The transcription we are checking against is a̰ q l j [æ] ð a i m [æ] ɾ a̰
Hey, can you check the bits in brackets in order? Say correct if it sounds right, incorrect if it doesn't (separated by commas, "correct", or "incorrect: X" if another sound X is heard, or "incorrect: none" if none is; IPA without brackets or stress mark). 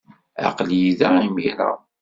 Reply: incorrect: i, incorrect: i